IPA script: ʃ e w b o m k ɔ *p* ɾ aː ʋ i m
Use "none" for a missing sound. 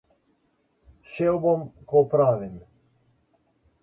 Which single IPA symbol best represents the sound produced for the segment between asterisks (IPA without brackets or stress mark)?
p